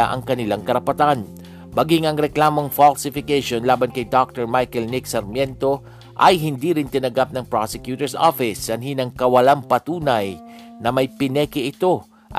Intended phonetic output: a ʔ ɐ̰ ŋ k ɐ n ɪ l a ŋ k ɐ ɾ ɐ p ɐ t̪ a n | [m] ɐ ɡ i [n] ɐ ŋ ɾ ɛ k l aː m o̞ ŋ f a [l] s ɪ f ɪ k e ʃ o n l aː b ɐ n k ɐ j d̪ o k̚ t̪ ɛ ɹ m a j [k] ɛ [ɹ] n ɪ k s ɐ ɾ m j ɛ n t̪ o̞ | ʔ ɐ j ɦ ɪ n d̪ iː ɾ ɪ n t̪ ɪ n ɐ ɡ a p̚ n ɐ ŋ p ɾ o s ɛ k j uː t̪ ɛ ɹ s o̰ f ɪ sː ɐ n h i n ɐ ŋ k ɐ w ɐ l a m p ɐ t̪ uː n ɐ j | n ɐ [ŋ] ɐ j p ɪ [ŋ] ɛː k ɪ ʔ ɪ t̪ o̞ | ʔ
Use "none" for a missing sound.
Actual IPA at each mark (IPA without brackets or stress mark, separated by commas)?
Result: m, ŋ, l, k, l, m, n